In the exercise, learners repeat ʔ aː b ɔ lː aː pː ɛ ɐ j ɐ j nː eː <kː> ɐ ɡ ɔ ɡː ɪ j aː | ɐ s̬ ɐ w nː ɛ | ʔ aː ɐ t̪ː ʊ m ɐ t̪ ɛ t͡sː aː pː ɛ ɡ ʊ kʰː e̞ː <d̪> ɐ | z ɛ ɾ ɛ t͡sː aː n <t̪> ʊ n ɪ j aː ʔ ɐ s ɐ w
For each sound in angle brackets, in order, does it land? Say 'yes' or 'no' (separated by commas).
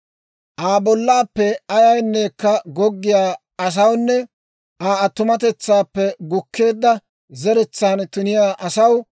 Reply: yes, no, yes